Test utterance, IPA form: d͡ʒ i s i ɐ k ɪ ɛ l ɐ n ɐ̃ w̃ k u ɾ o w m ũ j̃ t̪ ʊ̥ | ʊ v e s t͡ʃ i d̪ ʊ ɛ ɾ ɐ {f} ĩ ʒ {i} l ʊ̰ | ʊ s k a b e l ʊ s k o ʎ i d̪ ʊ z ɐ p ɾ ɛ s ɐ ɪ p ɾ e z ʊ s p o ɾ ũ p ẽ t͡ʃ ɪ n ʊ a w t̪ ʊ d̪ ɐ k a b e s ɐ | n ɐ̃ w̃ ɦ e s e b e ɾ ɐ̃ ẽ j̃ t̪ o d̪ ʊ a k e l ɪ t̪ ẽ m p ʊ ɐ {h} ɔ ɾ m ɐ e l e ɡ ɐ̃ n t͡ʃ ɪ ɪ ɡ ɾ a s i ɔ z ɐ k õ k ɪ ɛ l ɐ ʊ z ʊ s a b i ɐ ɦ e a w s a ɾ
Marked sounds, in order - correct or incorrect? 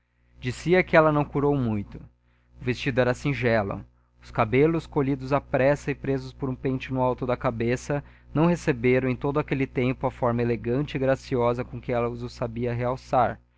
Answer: incorrect: s, incorrect: ɛ, incorrect: f

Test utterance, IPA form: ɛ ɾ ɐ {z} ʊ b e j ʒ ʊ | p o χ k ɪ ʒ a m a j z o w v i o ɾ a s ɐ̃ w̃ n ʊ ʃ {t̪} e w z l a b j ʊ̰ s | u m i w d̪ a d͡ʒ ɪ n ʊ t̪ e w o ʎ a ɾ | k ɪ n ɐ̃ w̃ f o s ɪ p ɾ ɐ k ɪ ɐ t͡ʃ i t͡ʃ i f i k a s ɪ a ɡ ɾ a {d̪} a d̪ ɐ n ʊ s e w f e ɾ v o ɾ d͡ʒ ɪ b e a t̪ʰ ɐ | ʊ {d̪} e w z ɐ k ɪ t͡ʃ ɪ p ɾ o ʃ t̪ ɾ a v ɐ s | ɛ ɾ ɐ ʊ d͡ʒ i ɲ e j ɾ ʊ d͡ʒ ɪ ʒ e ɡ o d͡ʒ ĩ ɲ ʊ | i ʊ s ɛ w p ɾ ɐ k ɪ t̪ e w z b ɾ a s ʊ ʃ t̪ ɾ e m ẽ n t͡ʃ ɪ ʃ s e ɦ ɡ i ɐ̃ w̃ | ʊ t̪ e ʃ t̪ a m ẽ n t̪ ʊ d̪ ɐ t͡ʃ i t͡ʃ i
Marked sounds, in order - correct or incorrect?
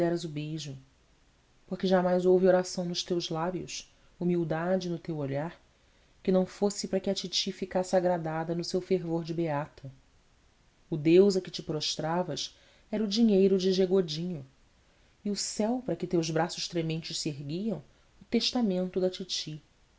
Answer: correct, correct, correct, correct

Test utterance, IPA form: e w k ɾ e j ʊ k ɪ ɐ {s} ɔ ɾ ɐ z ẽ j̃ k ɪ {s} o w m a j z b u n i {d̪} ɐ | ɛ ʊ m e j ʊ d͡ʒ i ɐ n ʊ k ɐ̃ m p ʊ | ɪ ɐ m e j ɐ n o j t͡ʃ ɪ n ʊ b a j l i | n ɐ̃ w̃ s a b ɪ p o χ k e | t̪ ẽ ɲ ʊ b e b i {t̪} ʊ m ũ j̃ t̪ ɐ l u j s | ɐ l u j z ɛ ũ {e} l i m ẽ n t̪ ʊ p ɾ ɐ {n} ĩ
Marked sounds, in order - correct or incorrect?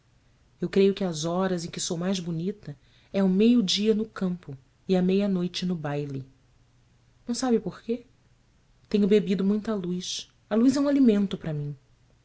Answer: incorrect: z, correct, incorrect: t̪, incorrect: d̪, incorrect: a, incorrect: m

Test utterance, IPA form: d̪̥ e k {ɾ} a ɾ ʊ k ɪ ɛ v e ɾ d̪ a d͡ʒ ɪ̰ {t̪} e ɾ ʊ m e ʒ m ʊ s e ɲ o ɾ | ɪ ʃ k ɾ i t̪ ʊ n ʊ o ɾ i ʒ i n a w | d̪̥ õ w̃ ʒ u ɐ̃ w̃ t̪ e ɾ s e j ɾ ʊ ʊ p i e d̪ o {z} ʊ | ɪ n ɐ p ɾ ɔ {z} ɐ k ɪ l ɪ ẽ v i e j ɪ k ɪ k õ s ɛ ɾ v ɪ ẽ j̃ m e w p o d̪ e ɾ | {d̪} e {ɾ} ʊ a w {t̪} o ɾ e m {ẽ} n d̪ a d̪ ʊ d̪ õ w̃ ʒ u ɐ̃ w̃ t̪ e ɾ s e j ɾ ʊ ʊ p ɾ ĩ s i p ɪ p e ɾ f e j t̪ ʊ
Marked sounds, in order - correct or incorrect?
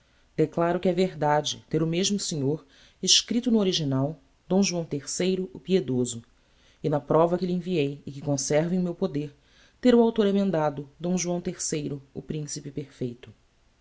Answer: incorrect: l, correct, correct, incorrect: v, incorrect: t̪, correct, correct, correct

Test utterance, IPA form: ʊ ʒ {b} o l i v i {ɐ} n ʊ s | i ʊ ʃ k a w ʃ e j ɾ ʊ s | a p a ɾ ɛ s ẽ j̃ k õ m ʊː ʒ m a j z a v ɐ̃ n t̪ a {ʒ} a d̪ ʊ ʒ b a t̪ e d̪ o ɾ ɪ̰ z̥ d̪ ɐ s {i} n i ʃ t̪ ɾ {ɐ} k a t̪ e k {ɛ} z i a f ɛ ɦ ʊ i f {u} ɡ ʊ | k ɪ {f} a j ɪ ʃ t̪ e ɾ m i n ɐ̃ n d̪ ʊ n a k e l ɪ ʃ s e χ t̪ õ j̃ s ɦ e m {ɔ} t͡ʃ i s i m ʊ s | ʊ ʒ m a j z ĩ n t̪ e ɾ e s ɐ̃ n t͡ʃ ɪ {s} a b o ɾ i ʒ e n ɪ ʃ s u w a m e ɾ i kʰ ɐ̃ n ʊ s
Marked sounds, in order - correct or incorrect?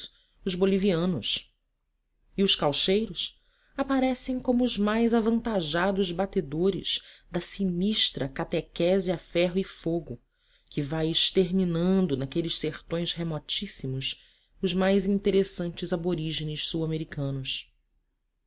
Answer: correct, incorrect: ɐ̃, correct, correct, correct, correct, incorrect: o, incorrect: v, correct, incorrect: z

